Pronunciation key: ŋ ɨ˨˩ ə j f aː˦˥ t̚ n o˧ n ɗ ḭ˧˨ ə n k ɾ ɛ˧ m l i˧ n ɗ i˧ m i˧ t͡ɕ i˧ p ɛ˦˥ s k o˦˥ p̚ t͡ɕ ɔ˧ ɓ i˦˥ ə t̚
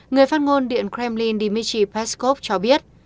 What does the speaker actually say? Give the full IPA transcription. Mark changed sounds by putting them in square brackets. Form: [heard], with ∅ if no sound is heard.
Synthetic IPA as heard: ŋ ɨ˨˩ ə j f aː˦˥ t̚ [ŋ] o˧ n ɗ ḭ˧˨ ə n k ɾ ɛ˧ m l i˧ n ɗ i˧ m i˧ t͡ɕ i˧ p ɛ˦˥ s k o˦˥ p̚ t͡ɕ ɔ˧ ɓ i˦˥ ə t̚